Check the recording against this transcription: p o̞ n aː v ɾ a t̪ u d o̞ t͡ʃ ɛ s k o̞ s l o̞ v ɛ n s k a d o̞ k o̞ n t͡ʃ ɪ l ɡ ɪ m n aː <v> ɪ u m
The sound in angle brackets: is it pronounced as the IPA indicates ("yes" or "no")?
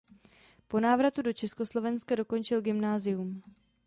no